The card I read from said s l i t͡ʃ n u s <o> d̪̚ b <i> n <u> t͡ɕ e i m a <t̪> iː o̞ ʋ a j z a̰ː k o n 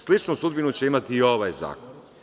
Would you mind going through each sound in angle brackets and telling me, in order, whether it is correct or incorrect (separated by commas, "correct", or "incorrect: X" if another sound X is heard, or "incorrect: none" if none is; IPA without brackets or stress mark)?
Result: incorrect: u, correct, correct, correct